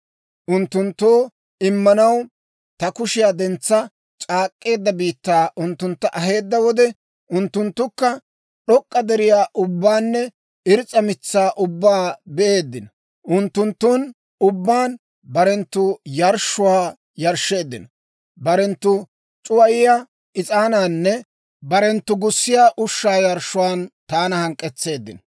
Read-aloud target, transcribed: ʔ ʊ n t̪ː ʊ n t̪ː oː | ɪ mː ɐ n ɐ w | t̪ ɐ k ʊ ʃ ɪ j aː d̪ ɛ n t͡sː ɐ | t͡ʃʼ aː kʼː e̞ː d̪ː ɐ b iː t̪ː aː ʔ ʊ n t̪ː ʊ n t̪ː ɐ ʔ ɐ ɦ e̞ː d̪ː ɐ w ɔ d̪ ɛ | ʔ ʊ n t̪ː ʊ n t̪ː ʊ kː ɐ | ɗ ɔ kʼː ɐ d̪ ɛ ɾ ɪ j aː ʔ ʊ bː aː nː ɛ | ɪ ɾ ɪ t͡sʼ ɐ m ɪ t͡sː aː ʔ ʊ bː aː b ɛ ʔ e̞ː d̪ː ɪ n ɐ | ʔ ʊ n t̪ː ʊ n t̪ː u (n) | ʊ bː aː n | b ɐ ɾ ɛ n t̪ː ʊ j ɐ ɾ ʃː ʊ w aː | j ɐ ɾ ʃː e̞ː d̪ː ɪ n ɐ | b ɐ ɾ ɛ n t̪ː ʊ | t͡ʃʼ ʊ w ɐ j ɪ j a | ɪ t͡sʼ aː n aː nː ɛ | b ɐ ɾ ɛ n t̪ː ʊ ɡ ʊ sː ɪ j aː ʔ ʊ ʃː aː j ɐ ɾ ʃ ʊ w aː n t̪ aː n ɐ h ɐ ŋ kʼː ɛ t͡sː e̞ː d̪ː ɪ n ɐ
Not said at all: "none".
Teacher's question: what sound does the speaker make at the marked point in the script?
n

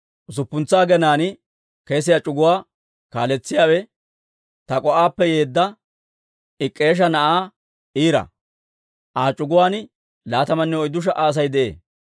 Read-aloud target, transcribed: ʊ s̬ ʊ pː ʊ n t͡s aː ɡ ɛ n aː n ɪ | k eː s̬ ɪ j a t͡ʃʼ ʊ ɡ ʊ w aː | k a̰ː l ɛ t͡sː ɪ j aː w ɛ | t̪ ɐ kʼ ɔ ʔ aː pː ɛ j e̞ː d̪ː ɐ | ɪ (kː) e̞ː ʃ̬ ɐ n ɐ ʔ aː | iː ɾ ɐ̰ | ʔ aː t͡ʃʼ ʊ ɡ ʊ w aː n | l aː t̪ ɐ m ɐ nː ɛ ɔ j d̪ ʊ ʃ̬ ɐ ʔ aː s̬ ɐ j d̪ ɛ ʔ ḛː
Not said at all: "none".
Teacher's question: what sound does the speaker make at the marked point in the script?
kʼː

